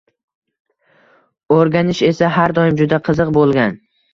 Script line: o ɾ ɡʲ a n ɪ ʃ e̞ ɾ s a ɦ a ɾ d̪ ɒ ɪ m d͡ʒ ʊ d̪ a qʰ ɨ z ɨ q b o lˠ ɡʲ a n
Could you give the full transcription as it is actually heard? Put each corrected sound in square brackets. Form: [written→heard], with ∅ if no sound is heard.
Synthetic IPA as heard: o ɾ ɡʲ a n ɪ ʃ e̞ [ɾ→∅] s a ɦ a ɾ d̪ ɒ ɪ m d͡ʒ ʊ d̪ a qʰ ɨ z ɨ q b o lˠ ɡʲ a n

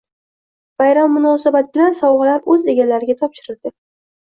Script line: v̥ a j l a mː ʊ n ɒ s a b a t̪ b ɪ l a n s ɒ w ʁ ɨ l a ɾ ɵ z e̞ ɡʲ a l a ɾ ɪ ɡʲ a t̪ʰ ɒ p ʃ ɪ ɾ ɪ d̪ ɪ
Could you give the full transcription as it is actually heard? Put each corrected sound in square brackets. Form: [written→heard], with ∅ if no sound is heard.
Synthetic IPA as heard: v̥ a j [l→ɾ] a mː ʊ n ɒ s a b a t̪ b ɪ l a n s ɒ w ʁ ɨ l a ɾ ɵ z e̞ ɡʲ a l a ɾ ɪ ɡʲ a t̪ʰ ɒ p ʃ ɪ ɾ ɪ d̪ ɪ

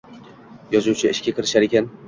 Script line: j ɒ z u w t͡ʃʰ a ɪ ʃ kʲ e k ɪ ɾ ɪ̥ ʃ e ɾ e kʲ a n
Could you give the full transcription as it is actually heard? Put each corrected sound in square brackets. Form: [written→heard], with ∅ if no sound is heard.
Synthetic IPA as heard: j ɒ z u w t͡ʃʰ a ɪ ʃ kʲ [e→a] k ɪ ɾ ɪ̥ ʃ [e→a] ɾ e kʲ a n

